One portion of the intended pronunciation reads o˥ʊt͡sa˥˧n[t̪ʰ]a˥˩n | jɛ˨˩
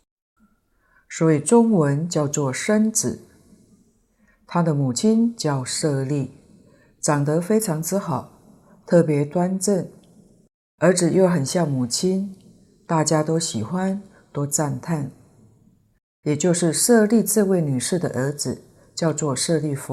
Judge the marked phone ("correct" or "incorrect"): correct